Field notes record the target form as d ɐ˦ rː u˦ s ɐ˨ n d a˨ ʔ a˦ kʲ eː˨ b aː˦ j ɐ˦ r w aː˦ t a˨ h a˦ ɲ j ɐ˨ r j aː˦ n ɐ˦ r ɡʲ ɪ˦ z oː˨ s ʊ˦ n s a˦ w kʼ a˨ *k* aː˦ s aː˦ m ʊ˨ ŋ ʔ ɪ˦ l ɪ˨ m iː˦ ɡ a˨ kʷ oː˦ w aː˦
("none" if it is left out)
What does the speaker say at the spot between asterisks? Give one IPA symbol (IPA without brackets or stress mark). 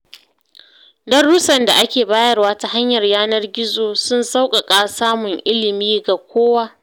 kʼ